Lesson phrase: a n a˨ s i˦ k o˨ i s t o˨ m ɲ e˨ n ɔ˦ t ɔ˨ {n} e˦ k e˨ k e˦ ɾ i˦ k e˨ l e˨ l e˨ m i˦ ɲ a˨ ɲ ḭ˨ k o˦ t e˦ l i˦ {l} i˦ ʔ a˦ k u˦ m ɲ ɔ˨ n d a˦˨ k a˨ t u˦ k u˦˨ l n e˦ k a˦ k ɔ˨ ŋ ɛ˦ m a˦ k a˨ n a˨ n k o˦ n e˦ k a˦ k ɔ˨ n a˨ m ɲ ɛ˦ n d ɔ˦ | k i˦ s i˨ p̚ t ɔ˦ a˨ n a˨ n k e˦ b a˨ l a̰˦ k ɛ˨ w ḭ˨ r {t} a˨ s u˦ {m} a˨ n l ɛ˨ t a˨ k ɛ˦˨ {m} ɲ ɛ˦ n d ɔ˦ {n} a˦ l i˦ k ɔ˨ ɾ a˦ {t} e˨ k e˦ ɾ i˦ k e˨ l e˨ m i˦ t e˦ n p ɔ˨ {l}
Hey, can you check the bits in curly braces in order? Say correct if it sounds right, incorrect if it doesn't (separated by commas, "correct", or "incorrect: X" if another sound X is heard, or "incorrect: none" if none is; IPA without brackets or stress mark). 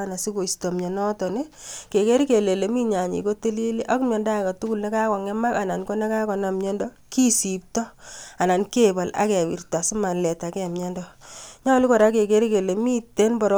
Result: correct, correct, correct, correct, correct, incorrect: ɲ, incorrect: k, incorrect: ɾ